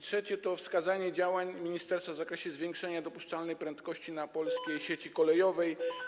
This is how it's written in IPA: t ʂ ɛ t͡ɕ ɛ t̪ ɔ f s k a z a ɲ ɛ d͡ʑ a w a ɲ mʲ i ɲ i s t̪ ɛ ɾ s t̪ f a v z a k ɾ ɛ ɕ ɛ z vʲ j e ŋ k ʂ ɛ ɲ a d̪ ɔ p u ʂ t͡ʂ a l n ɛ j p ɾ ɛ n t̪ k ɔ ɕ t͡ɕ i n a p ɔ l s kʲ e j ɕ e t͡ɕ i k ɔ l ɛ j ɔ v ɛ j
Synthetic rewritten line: t ʂ ɛ t͡ɕ ɛ t̪ ɔ f s k a z a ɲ ɛ d͡ʑ a w a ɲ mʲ i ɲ i s t̪ ɛ ɾ s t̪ f a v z a k ɾ ɛ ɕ ɛ z vʲ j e ŋ k ʂ ɛ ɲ a d̪ ɔ p u ʂ t͡ʂ a l n ɛ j p ɾ ɛ n t̪ k ɔ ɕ t͡ɕ i n a p ɔ l s kʲ e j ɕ e t͡ɕ i k ɔ l ɛ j ɔ v ɛ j